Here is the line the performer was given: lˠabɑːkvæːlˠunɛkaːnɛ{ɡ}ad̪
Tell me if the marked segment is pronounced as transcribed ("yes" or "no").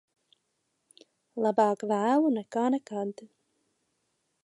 no